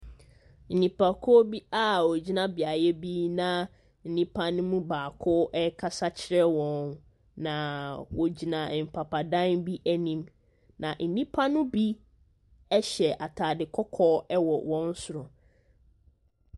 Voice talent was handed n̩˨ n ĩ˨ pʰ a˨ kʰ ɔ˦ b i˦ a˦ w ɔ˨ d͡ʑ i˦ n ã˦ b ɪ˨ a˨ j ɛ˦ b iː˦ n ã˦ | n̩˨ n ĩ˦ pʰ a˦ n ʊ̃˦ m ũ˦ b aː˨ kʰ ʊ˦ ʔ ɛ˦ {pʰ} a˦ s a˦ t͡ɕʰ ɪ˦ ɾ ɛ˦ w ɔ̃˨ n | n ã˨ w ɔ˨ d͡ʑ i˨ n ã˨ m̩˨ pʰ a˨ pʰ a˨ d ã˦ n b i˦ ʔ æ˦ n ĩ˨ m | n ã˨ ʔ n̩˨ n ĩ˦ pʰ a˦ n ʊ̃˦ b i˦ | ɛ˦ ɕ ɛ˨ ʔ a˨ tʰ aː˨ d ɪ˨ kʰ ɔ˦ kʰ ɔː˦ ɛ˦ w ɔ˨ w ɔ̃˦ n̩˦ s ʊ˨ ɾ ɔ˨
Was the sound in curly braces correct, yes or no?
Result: no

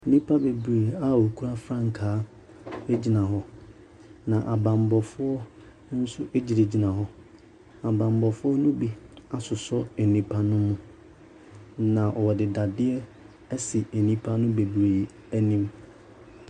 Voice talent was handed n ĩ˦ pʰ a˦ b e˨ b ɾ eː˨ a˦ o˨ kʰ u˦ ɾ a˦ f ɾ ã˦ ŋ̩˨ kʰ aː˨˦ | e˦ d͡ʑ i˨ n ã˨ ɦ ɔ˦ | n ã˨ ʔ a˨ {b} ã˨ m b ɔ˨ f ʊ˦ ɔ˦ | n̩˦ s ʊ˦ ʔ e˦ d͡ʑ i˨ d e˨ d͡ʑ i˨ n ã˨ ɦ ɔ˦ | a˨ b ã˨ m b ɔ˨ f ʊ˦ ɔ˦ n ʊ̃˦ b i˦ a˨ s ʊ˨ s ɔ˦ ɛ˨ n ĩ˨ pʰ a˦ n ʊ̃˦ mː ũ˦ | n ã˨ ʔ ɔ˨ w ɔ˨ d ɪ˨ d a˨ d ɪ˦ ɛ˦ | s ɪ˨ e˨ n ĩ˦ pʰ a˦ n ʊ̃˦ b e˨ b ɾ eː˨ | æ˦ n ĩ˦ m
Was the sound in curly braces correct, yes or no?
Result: yes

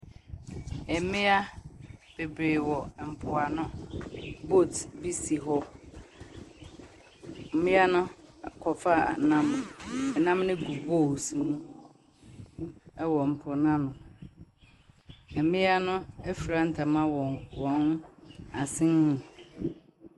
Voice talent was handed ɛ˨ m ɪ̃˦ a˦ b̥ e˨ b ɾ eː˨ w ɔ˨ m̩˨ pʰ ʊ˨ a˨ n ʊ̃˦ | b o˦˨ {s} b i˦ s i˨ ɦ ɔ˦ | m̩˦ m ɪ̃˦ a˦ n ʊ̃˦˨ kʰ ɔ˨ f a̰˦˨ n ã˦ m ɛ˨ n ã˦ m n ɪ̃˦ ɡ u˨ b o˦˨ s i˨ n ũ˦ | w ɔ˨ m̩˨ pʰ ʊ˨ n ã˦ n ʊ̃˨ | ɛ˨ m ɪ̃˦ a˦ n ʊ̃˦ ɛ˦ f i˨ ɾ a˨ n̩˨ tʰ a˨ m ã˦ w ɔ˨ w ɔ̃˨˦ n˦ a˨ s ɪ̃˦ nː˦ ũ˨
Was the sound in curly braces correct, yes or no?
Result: no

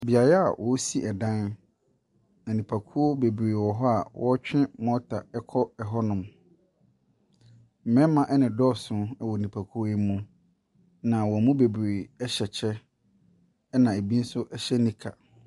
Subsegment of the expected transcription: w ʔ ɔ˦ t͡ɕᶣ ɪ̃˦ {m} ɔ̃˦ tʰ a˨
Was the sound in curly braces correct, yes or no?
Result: yes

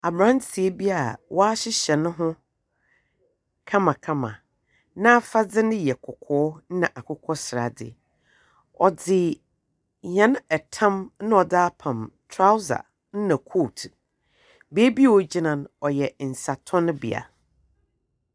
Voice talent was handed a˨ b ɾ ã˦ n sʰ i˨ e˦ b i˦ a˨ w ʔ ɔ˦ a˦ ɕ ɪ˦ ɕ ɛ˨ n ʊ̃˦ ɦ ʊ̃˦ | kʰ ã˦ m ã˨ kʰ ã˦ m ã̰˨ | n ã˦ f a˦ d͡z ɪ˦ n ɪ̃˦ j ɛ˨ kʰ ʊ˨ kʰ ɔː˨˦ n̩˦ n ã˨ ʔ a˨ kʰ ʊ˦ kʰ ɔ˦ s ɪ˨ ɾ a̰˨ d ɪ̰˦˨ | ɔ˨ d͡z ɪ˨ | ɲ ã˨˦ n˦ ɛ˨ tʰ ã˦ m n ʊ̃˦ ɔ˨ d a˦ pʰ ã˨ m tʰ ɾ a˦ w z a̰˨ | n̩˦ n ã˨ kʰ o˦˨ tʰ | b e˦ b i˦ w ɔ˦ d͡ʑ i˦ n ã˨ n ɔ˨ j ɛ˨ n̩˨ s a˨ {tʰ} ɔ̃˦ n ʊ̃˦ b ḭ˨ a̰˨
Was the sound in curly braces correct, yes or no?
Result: yes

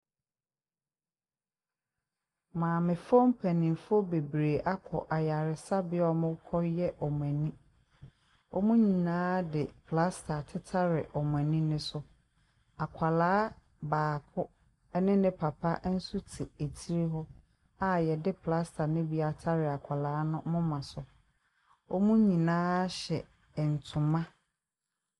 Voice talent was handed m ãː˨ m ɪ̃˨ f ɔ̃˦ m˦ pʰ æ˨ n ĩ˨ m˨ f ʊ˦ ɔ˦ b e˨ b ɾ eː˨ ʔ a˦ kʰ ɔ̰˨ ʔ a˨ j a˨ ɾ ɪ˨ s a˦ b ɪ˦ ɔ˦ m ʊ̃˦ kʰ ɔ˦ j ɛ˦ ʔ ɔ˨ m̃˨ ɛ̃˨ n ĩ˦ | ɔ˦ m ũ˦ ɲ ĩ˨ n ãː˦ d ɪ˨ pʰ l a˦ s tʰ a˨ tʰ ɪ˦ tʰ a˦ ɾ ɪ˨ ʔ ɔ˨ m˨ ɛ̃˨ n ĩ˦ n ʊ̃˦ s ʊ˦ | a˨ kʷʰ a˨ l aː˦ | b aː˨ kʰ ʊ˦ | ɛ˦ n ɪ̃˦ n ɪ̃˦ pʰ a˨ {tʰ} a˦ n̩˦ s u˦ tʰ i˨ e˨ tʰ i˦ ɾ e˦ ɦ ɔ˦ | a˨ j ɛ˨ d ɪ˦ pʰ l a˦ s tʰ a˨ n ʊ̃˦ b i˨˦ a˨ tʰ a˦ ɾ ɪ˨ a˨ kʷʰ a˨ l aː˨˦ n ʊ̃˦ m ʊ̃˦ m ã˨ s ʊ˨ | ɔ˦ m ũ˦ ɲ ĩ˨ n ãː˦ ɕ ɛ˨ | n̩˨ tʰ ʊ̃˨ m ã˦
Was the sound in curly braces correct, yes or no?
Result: no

